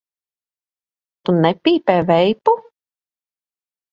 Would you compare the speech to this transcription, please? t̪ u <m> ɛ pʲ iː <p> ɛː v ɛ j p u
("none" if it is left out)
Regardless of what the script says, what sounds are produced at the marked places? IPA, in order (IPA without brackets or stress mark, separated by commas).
n, p